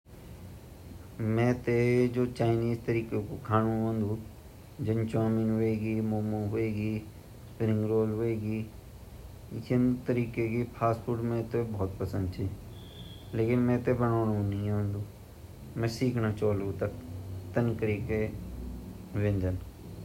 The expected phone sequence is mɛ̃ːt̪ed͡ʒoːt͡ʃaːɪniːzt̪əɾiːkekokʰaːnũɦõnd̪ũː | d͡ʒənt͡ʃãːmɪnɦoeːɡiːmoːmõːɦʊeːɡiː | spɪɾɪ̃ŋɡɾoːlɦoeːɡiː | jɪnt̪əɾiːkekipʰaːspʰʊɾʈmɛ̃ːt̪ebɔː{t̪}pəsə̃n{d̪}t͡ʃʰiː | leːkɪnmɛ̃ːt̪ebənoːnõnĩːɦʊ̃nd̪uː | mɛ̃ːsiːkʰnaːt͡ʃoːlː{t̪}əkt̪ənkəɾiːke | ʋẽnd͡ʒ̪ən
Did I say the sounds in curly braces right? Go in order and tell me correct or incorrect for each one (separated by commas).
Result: correct, correct, correct